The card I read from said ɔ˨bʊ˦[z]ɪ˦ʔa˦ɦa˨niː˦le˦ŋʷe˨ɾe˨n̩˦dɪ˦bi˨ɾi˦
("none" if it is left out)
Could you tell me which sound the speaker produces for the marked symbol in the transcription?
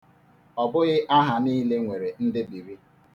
ɣ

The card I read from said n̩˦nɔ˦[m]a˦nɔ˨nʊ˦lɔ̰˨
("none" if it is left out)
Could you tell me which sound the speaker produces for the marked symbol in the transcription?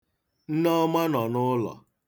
m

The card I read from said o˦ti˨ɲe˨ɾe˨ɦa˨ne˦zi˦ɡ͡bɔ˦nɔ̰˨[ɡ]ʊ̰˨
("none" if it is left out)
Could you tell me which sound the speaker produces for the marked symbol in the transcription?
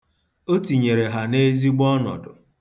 d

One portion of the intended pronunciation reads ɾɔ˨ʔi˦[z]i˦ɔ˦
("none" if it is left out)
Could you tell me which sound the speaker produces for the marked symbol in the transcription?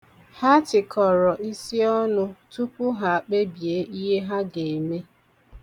s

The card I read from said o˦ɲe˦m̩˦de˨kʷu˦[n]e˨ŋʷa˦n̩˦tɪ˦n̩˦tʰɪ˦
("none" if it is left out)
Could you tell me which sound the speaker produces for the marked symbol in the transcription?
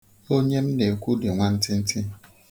d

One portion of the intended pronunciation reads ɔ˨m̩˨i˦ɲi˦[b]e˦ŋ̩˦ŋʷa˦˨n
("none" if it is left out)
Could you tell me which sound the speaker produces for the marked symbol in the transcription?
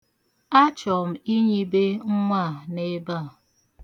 b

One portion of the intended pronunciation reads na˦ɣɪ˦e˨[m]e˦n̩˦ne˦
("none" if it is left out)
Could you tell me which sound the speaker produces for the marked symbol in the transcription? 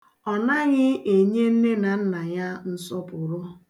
ɲ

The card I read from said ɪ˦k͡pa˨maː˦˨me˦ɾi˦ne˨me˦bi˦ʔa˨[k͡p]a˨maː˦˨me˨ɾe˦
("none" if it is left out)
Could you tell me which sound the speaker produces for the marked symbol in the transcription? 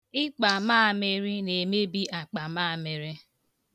k͡p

